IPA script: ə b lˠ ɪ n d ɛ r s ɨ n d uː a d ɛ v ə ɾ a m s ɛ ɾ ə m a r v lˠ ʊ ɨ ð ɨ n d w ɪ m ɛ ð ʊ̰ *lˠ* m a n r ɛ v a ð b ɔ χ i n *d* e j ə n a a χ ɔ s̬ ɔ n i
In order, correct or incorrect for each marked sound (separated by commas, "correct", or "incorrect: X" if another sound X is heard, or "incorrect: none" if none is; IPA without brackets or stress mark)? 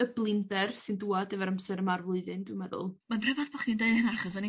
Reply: correct, correct